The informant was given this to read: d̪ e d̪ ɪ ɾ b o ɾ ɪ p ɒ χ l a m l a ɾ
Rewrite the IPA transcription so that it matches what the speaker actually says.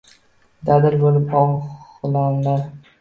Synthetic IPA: d̪ a d̪ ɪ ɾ b o l ɪ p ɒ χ l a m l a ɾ